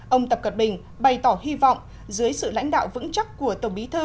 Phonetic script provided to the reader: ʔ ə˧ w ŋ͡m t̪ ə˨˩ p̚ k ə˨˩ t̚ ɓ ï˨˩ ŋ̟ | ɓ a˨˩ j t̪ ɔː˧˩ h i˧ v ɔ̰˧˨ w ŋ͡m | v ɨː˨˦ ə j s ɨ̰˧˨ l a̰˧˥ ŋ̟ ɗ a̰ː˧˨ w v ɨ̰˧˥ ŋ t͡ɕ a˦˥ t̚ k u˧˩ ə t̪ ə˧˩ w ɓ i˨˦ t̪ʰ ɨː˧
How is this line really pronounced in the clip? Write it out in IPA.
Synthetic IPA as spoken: ʔ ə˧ w ŋ͡m t̪ ə˨˩ p̚ k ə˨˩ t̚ ɓ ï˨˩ ŋ̟ | ɓ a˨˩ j t̪ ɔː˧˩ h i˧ v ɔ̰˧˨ w ŋ͡m | z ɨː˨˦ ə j s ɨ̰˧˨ l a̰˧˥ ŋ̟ ɗ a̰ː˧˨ w v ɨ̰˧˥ ŋ t͡ɕ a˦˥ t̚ k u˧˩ ə t̪ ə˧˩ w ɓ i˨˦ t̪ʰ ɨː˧

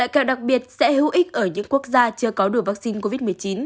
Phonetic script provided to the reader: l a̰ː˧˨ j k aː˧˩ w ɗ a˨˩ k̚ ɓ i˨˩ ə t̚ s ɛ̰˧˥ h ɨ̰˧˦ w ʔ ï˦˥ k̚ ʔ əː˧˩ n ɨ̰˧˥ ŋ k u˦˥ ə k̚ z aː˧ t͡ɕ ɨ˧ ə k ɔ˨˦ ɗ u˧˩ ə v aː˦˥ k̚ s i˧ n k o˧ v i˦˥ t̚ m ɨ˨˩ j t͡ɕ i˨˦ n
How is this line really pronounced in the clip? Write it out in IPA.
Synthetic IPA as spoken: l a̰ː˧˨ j k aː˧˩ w ɗ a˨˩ k̚ ɓ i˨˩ ə t̚ s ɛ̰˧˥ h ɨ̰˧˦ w ʔ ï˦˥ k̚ ʔ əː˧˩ ɲ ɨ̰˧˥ ŋ k u˦˥ ə k̚ z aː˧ t͡ɕ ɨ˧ ə k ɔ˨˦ ɗ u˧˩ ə v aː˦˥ k̚ s i˧ n k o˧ v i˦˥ t̚ m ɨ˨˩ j t͡ɕ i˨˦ n

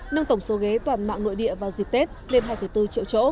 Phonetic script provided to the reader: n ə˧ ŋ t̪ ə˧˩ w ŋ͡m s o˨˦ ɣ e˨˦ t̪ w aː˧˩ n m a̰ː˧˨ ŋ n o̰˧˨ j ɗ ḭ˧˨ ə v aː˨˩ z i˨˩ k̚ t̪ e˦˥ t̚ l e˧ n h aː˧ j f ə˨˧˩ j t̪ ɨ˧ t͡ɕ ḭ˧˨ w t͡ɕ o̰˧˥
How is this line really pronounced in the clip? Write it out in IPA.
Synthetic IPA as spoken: n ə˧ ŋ t̪ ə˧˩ w ŋ͡m s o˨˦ ɣ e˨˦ t̪ w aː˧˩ n m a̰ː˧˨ ŋ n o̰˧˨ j ɗ ḭ˧˨ ə v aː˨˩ z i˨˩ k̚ t̪ e˦˥ t̚ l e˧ n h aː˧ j f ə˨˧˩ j t̪ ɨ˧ t͡ɕ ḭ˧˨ w t͡ɕ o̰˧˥

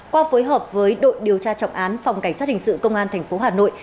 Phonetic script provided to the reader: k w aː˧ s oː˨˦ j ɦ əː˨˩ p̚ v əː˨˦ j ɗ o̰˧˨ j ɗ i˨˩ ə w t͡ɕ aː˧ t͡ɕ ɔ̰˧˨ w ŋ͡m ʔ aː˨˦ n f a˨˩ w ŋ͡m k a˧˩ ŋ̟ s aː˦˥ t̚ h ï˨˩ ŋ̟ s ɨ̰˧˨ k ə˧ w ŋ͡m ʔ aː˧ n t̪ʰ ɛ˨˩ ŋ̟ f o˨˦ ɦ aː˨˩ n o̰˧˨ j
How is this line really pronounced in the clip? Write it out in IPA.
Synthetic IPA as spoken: k w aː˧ f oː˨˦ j ɦ əː˨˩ p̚ v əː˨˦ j ɗ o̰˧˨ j ɗ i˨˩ ə w t͡ɕ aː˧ t͡ɕ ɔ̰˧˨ w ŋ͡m ʔ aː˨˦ n f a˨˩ w ŋ͡m k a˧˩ ŋ̟ s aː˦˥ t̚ h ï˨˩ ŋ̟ s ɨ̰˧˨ k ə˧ w ŋ͡m ʔ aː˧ n t̪ʰ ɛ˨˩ ŋ̟ f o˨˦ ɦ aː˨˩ n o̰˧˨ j

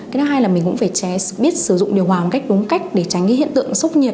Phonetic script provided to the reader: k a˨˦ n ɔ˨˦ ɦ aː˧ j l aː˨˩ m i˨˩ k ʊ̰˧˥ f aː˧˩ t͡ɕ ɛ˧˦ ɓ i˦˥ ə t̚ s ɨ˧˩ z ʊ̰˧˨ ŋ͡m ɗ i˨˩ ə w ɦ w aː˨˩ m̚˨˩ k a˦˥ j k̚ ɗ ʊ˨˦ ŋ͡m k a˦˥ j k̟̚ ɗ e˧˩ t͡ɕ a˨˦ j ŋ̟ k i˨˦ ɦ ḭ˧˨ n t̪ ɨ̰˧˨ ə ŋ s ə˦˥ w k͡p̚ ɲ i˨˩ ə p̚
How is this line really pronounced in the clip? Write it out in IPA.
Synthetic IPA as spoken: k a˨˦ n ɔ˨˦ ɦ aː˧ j l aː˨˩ m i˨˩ k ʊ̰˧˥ f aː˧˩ t͡ɕ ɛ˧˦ ɓ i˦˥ ə t̚ s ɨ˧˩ z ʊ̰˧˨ ŋ͡m ɗ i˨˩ ə w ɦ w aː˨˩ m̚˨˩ k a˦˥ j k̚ ɗ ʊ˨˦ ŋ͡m k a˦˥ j k̟̚ ɗ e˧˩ t͡ɕ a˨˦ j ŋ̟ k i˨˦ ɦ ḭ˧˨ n t̪ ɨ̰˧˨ ə ŋ s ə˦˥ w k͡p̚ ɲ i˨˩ ə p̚

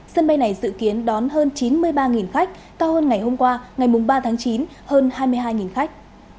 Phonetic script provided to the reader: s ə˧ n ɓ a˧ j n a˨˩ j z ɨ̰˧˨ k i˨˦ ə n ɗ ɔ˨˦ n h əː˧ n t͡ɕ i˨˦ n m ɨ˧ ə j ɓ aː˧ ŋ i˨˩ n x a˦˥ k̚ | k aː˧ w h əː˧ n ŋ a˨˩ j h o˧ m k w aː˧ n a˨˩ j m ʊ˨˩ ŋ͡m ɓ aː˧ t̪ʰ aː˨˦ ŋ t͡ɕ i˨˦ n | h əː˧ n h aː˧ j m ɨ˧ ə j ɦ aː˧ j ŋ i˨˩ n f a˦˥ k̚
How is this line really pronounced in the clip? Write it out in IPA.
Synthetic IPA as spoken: s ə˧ n ɓ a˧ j n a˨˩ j z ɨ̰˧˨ k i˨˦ ə n ɗ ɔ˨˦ n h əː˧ n t͡ɕ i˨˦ n m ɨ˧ ə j ɓ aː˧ ŋ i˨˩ n x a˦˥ k̚ | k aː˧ w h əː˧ n ŋ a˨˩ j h o˧ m k w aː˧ ŋ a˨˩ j m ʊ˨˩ ŋ͡m ɓ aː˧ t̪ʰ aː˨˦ ŋ t͡ɕ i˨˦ n | h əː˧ n h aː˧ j m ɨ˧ ə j ɦ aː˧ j ŋ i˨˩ n x a˦˥ k̚

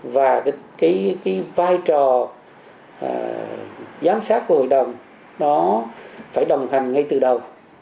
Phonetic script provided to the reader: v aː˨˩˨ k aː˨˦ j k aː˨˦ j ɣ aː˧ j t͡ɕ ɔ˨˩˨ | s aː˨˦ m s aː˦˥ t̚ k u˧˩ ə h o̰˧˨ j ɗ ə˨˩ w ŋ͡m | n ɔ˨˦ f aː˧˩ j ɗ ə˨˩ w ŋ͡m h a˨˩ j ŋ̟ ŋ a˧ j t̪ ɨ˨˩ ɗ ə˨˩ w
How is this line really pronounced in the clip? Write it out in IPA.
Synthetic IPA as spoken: v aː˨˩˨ k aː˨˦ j k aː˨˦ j v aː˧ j t͡ɕ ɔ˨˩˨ | z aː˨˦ m s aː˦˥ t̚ k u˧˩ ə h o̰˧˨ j ɗ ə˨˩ w ŋ͡m | n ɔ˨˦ f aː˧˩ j ɗ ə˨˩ w ŋ͡m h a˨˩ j ŋ̟ ŋ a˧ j t̪ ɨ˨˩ ɗ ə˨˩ w

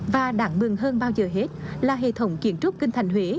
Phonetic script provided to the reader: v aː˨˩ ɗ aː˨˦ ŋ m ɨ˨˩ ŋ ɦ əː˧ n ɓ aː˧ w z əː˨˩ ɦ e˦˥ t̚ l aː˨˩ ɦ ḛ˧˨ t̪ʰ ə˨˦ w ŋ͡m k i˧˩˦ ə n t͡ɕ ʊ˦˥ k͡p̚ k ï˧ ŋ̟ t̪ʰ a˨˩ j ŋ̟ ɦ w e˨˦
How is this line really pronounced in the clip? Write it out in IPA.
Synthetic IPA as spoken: v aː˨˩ ɗ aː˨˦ ŋ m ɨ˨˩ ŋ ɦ əː˧ n ɓ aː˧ w z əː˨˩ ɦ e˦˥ t̚ l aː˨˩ ɦ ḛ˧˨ t̪ʰ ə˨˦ w ŋ͡m k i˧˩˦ ə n t͡ɕ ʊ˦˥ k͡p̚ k ï˧ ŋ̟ t̪ʰ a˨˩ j ŋ̟ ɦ w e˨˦

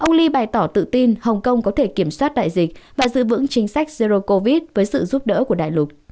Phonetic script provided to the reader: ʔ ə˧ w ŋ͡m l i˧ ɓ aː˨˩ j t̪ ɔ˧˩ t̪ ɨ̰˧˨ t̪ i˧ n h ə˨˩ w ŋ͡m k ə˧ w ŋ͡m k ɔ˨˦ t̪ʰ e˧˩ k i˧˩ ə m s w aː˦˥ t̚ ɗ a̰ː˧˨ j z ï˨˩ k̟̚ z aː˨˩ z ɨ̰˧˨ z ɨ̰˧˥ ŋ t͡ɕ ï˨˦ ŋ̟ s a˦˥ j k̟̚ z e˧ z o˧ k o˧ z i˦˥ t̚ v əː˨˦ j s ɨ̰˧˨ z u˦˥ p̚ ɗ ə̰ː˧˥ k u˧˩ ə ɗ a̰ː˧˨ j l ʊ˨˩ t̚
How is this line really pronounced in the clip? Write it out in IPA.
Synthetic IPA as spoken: ʔ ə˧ w ŋ͡m l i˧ ɓ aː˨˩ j t̪ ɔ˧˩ t̪ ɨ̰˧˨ t̪ i˧ n h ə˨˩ w ŋ͡m k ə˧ w ŋ͡m k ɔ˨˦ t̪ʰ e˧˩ k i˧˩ ə m s w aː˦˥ t̚ ɗ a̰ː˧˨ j z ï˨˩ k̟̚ v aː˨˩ z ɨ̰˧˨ v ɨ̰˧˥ ŋ t͡ɕ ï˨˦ ŋ̟ s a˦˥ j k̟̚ z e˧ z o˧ k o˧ v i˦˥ t̚ v əː˨˦ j s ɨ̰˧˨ z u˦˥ p̚ ɗ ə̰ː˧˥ k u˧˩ ə ɗ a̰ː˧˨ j l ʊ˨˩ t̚

